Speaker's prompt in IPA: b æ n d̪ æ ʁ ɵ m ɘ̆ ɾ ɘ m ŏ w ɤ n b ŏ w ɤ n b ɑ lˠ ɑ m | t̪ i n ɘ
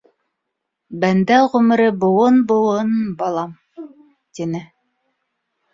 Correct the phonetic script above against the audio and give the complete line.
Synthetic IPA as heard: b æ n d̪ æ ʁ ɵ m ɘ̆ ɾ ɘ b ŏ w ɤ n b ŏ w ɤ n b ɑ lˠ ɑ m | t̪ i n ɘ